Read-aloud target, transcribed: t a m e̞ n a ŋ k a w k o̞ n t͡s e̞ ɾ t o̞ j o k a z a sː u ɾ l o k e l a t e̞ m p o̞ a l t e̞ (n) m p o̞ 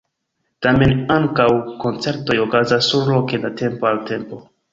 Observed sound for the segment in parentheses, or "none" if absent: none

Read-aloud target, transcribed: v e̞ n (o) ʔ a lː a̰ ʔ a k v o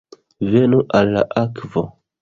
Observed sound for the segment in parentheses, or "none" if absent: u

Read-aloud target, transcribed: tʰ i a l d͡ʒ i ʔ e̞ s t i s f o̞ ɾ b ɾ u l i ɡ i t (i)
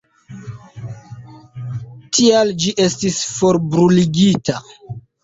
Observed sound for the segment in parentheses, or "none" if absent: a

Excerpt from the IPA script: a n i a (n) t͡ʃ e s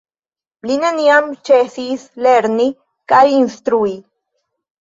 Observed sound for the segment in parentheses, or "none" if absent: m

